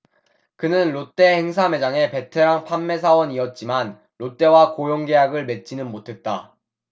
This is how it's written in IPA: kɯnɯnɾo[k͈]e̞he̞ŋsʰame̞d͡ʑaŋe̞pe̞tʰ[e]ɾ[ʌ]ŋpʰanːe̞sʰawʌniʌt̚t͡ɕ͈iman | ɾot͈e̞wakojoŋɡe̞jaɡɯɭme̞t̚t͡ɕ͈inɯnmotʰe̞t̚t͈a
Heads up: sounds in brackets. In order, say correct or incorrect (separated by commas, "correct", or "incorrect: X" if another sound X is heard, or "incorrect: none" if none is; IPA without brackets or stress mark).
incorrect: t͈, correct, incorrect: a